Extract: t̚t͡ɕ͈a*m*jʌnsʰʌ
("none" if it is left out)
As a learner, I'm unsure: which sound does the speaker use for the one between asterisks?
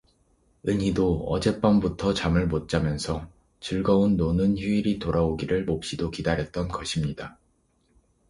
m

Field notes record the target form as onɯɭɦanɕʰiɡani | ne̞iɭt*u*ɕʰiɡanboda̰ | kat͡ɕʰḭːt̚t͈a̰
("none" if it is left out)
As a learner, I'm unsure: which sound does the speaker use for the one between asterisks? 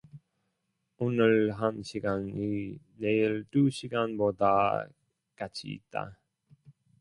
u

